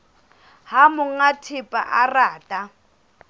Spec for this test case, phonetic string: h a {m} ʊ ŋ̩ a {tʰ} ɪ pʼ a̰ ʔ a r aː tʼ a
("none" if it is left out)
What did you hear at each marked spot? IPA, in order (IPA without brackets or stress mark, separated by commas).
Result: m, tʰ